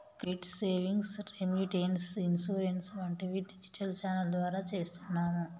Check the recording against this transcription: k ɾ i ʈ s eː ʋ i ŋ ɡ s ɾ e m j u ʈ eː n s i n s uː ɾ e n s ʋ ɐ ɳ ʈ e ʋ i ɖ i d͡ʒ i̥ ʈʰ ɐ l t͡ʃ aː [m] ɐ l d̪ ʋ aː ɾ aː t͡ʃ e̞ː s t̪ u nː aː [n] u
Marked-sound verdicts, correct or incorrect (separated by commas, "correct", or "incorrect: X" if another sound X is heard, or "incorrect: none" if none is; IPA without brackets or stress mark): incorrect: n, incorrect: m